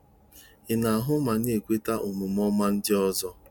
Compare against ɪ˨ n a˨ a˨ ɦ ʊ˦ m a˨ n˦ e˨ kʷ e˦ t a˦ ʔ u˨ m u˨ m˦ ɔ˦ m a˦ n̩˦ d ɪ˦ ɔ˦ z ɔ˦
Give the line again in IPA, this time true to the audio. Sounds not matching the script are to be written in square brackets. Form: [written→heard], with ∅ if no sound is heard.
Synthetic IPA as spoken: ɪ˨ n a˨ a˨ ɦ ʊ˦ m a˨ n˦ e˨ kʷ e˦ t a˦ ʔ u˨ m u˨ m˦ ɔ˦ m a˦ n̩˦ d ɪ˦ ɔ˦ z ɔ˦